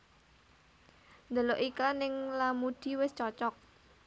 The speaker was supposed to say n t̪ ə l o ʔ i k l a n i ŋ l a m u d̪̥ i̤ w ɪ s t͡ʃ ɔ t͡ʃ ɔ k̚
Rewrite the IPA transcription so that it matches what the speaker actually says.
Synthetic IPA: n d̪ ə l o ʔ i k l a n ɪ ŋ l a m u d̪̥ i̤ w ɪ s t͡ʃ ɔ t͡ʃ ɔ k̚